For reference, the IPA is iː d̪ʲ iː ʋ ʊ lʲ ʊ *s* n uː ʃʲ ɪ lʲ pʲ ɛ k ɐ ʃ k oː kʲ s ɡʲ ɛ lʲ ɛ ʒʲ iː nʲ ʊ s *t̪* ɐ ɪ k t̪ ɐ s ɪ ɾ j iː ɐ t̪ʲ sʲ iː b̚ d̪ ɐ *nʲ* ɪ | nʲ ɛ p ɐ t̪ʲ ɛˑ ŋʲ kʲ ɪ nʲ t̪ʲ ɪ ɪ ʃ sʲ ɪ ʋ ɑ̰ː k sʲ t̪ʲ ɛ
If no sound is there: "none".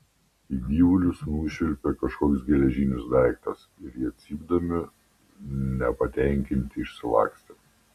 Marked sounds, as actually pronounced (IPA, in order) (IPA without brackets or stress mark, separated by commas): s, d̪, mʲ